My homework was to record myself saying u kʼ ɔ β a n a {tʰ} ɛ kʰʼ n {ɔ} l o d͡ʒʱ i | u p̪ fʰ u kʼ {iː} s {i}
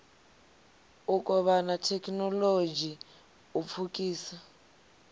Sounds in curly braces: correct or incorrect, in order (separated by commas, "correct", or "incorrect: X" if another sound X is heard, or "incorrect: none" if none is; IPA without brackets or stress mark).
correct, correct, correct, incorrect: a